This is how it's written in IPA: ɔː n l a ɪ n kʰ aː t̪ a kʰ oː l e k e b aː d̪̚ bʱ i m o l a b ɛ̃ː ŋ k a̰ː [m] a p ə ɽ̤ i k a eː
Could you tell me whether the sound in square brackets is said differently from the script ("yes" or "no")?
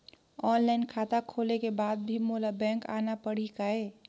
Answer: yes